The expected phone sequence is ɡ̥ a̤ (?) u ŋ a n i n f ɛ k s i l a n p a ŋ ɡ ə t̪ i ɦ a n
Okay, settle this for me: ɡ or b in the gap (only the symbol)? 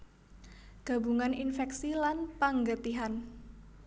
b